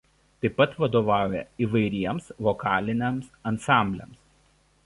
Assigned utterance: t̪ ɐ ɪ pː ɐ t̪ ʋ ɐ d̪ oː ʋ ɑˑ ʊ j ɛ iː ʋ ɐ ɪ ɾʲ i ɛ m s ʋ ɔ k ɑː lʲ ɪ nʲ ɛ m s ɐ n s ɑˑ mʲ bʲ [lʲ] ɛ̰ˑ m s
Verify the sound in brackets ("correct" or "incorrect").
correct